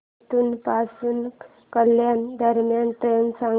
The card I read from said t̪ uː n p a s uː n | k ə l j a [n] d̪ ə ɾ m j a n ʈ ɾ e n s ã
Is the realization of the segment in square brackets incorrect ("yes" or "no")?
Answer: no